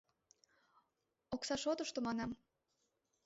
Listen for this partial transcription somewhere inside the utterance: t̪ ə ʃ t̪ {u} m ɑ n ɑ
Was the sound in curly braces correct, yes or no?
no